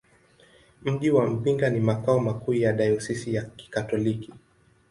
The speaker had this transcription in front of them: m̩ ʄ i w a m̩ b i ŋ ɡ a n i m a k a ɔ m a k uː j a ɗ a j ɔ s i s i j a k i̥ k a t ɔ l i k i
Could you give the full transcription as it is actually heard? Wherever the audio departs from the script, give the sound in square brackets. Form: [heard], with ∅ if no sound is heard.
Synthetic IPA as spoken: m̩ ʄ i w a m̩ [p] i ŋ ɡ a n i m a k a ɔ m a k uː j a ɗ a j ɔ s i s i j a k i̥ k a t ɔ l i k i